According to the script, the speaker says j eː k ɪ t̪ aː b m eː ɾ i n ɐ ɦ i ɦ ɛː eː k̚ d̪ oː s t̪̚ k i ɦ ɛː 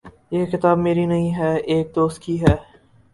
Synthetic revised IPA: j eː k ɪ t̪ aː b m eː ɾ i n ɐ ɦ ĩ ɦ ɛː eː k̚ d̪ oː s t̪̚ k i ɦ ɛː